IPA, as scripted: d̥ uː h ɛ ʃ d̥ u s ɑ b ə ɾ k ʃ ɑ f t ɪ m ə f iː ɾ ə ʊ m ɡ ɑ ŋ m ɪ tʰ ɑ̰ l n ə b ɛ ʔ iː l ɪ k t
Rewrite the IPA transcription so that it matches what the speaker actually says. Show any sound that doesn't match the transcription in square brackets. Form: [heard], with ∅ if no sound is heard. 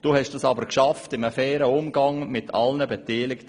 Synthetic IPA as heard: d̥ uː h ɛ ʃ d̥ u s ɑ b ə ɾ k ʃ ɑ f t ɪ m ə f [ɛː] ɾ ə ʊ m ɡ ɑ ŋ m ɪ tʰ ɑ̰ l n ə b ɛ [t] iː l ɪ k t